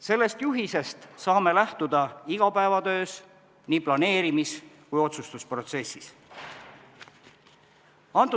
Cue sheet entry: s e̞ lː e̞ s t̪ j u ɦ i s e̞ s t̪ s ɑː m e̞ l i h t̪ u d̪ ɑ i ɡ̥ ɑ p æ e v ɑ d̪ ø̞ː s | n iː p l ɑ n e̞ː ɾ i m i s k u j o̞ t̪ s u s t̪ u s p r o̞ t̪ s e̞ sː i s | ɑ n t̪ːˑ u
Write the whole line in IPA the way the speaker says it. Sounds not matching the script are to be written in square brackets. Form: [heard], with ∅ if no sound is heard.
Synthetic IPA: s e̞ lː e̞ s t̪ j u ɦ i s e̞ s t̪ s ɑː m e̞ l [æ] h t̪ u d̪ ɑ i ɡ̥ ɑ p æ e v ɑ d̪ ø̞ː s | n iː p l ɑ n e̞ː ɾ i m i s k u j o̞ t̪ s u s t̪ u s p r o̞ t̪ s e̞ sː i s | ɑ n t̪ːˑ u

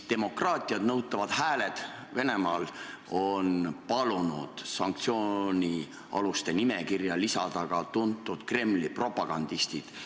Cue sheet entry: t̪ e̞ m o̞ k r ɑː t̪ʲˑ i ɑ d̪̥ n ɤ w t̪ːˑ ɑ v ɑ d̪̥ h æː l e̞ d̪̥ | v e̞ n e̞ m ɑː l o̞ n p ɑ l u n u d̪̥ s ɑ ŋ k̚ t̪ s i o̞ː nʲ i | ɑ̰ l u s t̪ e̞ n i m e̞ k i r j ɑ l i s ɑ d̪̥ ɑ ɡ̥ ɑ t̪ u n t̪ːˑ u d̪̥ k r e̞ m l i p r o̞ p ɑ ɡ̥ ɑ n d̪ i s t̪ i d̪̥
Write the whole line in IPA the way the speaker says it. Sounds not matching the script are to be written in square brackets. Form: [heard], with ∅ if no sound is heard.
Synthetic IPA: t̪ e̞ m o̞ k r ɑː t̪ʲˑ i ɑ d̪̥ n ɤ w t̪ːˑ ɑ v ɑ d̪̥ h æː l e̞ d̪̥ | v e̞ n e̞ m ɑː l o̞ n p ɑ l u n u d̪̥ s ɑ ŋ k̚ t̪ s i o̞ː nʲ i | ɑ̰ l u s t̪ e̞ n i m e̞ k i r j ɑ l i s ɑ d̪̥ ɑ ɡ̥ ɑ t̪ u n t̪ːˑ u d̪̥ k r e̞ m l i p r o̞ p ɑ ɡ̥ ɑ n d̪ i s t̪ i d̪̥

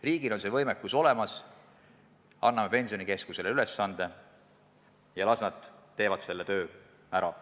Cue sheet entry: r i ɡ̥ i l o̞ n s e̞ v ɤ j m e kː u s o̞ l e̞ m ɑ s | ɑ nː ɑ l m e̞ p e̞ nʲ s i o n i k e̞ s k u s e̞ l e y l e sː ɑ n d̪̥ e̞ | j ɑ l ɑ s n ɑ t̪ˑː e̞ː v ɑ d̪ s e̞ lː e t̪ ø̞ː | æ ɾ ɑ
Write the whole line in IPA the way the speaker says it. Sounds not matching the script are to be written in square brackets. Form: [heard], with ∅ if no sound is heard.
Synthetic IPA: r [iː] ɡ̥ i l o̞ n s e̞ v ɤ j m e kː u s o̞ l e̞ m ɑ s | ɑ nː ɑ [∅] m e̞ p e̞ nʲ s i o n i k e̞ s k u s e̞ l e y l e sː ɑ n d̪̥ e̞ | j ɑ l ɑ s n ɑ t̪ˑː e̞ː v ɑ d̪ s e̞ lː e t̪ ø̞ː | æ ɾ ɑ

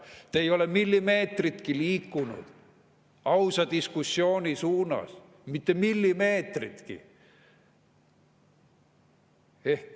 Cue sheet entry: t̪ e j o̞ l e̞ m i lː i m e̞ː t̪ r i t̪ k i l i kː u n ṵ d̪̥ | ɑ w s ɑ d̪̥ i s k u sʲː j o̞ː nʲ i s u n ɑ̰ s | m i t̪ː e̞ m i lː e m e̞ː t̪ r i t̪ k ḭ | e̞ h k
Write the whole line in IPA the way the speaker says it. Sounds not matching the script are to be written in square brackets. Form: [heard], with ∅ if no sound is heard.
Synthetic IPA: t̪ e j o̞ l e̞ m i lː i m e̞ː t̪ r i t̪ k i l [iː] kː u n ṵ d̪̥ | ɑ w s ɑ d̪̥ i s k u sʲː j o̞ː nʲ i s [uː] n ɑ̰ s | m i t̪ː e̞ m i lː [i] m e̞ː t̪ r i t̪ k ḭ | e̞ h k

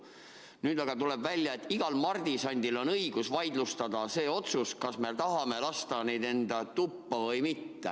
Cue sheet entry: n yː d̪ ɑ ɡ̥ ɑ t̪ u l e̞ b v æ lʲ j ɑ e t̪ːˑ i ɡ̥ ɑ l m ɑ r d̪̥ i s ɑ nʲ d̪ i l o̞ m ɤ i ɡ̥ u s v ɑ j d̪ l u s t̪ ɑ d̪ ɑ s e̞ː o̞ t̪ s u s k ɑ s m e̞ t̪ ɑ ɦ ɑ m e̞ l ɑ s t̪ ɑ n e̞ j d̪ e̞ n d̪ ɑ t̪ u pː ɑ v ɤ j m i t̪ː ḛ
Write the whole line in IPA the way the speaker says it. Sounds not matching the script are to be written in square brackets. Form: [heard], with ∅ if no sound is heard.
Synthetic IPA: n yː d̪ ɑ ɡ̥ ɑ t̪ u l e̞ b v æ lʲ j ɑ e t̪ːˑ i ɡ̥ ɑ l m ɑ r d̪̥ i s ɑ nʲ d̪ i l o̞ [n] ɤ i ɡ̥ u s v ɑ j d̪ l u s t̪ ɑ d̪ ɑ s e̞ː o̞ t̪ s u s k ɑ s m e̞ t̪ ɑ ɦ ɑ m e̞ l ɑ s t̪ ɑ n e̞ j d̪ e̞ n d̪ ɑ t̪ u pː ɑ v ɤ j m i t̪ː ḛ

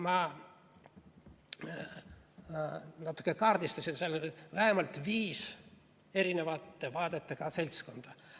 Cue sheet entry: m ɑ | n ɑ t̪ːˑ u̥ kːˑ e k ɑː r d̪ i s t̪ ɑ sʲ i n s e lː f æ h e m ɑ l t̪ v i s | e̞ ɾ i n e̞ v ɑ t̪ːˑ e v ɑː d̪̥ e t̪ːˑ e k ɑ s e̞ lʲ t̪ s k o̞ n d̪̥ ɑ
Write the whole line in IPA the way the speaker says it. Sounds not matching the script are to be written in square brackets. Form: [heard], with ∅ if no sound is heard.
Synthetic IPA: m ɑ | n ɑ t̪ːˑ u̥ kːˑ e k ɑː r d̪ i s t̪ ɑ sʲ i n s e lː [v] æ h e m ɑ l t̪ v [iː] s | e̞ ɾ i n e̞ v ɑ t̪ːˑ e v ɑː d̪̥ e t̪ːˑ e k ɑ s e̞ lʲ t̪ s k o̞ n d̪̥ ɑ

